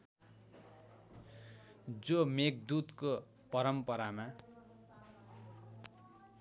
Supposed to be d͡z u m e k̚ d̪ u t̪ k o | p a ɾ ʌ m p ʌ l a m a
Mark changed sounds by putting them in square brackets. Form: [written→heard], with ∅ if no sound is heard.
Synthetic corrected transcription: d͡z [u→o] m e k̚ d̪ u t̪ k o | p [a→ʌ] ɾ ʌ m p ʌ [l→ɾ] a m a